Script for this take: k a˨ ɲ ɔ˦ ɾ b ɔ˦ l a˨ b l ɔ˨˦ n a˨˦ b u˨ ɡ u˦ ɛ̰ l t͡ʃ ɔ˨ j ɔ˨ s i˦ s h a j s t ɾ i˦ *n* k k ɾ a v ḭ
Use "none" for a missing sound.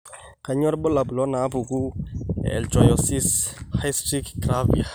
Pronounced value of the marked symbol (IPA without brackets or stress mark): none